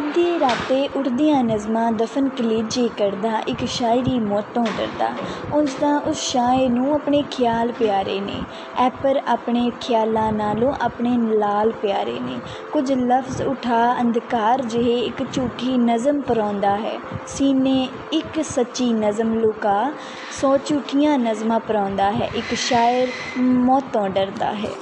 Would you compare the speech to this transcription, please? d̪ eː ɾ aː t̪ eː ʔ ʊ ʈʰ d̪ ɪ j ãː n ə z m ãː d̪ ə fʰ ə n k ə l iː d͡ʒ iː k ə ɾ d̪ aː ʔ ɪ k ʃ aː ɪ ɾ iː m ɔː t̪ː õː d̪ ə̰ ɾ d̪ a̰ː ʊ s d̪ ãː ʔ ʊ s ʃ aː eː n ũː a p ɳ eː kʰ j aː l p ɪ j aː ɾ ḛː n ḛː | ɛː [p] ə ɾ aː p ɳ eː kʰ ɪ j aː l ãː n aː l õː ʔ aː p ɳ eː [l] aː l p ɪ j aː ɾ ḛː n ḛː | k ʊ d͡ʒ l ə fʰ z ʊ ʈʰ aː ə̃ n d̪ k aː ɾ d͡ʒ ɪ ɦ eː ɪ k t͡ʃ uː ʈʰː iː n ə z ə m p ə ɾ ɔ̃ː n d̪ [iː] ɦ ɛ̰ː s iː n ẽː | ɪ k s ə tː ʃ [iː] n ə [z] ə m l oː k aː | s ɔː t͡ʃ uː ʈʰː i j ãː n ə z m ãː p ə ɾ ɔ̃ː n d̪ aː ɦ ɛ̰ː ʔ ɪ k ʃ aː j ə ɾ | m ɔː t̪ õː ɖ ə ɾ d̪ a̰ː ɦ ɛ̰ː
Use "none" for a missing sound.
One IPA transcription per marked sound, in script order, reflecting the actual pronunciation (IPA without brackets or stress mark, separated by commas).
p, l, aː, iː, z